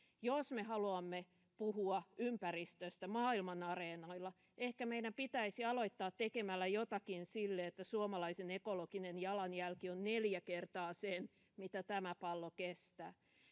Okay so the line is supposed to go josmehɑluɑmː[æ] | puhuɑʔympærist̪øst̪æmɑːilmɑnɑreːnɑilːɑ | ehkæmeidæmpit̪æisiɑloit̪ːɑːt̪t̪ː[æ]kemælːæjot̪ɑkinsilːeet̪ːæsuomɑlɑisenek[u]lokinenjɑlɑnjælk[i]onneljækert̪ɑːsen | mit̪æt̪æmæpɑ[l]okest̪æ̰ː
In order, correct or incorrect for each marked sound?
incorrect: e, incorrect: e, incorrect: o, correct, incorrect: lː

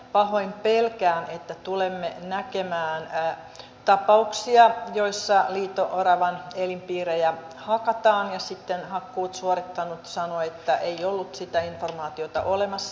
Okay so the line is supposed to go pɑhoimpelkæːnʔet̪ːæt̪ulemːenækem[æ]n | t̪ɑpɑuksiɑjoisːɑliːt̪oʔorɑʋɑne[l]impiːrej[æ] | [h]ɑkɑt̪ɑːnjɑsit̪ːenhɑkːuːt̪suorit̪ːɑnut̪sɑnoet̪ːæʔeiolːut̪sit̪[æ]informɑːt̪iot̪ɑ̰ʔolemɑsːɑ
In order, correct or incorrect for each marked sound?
incorrect: æː, correct, correct, correct, correct

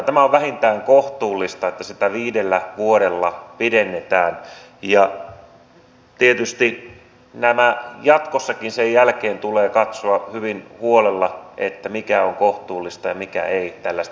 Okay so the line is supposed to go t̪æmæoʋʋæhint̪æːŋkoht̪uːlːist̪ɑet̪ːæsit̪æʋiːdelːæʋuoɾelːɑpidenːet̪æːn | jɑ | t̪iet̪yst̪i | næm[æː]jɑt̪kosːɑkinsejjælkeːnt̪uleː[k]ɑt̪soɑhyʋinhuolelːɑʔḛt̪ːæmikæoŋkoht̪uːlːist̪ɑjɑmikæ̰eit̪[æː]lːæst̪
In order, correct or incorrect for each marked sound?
incorrect: æ, correct, incorrect: æ

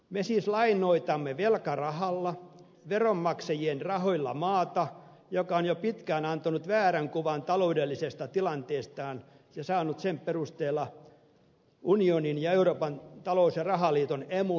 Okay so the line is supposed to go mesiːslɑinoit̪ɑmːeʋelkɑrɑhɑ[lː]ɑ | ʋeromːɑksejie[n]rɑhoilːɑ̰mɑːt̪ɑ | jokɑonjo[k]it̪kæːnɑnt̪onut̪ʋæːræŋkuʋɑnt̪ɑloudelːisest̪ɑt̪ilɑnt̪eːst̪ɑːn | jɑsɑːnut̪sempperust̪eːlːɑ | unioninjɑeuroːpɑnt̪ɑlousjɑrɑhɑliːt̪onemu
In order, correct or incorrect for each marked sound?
correct, correct, incorrect: p

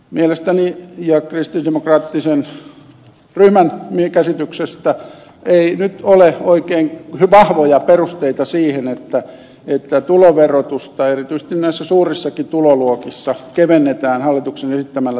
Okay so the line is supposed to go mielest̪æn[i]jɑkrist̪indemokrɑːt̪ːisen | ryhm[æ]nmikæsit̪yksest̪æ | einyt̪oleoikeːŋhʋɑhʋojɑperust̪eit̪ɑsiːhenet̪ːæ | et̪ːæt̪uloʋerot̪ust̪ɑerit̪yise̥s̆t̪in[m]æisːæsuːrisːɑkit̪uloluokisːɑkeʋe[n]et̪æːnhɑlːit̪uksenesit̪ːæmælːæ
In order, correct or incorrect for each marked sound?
correct, correct, incorrect: n, incorrect: nː

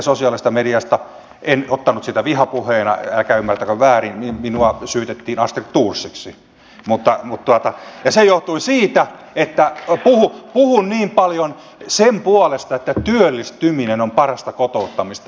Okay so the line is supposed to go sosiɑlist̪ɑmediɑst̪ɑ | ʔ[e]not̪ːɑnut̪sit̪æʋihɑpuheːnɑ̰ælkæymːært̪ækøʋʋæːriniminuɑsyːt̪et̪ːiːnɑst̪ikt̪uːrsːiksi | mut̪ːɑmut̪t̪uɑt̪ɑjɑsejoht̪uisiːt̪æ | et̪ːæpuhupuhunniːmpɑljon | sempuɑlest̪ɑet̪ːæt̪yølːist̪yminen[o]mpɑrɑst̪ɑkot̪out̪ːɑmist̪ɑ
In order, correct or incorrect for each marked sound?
correct, correct

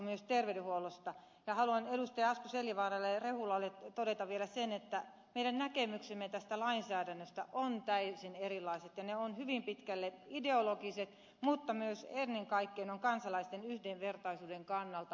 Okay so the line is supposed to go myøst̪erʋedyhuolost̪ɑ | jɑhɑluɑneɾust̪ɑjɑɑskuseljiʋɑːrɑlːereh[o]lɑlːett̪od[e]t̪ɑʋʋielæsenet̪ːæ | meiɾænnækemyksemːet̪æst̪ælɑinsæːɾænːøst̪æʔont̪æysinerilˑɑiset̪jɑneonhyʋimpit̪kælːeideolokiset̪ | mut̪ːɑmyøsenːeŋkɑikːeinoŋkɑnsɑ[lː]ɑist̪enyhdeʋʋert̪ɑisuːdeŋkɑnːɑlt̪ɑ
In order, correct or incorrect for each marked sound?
incorrect: u, correct, incorrect: l

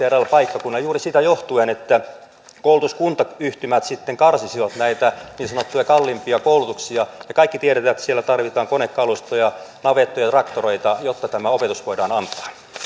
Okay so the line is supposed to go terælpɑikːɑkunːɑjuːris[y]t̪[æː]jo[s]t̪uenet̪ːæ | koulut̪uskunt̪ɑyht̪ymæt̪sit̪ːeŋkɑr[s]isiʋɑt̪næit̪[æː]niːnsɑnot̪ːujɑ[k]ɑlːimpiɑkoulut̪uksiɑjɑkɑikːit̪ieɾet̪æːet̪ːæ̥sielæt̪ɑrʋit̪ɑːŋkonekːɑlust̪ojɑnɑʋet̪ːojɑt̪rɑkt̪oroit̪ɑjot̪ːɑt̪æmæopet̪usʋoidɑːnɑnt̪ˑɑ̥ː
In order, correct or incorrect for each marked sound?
incorrect: i, incorrect: æ, incorrect: h, correct, incorrect: æ, correct

